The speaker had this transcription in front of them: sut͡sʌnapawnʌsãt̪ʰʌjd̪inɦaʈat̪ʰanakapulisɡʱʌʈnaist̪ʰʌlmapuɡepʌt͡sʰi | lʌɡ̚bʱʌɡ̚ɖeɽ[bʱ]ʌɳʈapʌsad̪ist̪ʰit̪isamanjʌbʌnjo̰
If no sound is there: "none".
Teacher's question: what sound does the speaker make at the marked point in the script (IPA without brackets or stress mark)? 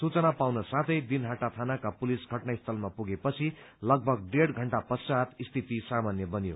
ɡʱ